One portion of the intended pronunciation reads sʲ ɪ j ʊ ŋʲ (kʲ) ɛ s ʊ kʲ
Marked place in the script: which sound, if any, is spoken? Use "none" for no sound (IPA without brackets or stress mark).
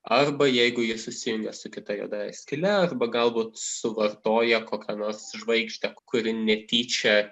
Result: ɡʲ